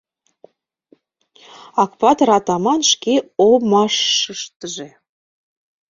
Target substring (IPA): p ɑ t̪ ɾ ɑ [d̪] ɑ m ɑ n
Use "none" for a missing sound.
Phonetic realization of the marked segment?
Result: t̪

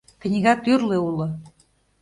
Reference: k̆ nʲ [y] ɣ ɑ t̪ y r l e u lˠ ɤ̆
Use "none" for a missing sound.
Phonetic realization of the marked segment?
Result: i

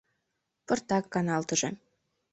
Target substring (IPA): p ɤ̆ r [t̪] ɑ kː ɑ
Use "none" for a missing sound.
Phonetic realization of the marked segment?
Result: t̪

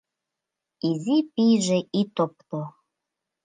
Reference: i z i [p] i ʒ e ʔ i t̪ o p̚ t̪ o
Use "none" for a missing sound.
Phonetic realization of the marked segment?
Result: p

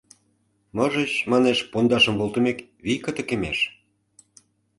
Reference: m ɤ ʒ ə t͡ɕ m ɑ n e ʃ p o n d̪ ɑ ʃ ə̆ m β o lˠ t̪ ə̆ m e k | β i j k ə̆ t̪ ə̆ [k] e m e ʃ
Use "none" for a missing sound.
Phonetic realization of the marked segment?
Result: k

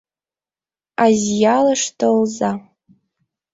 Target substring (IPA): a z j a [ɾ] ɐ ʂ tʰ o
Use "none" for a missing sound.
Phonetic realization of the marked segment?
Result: l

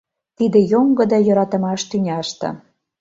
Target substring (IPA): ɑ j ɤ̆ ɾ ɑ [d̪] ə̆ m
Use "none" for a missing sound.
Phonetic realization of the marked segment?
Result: t̪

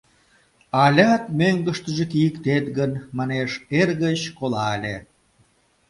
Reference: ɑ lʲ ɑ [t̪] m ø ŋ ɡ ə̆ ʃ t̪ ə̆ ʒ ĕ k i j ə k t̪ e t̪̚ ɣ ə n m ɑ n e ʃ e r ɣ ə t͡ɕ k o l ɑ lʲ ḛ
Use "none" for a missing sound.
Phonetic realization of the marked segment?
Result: t̪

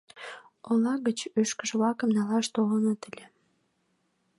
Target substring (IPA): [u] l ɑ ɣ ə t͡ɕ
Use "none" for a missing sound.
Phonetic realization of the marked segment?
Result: o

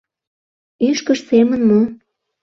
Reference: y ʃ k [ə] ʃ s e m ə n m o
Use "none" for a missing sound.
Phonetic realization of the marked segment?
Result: ə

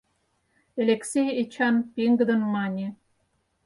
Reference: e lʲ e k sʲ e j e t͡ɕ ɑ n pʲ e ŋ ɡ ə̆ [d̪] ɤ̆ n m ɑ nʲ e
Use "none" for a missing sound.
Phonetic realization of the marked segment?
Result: d̪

